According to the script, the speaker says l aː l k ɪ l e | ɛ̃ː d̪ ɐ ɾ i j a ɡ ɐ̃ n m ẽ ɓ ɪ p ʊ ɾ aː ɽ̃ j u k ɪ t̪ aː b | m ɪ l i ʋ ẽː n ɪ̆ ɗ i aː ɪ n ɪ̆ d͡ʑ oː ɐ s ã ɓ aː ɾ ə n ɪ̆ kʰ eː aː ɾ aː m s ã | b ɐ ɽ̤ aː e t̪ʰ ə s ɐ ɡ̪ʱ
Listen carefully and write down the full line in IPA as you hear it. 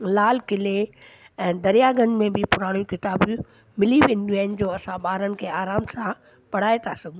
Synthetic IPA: l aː l k ɪ l e | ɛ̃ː d̪ ɐ ɾ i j a ɡ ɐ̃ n m ẽ b ɪ p ʊ ɾ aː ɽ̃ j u k ɪ t̪ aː b | m ɪ l i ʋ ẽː n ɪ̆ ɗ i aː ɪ n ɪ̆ d͡ʑ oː ɐ s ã ɓ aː ɾ ə n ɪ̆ kʰ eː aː ɾ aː m s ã | p ɐ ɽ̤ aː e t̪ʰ a s ɐ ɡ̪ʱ